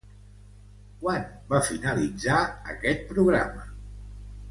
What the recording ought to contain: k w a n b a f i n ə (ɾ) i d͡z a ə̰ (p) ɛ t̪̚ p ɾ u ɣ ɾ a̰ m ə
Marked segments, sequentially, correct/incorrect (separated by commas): incorrect, incorrect